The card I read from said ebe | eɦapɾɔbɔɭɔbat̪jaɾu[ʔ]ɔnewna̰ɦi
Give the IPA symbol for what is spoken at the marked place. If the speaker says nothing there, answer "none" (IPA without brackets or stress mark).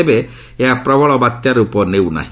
p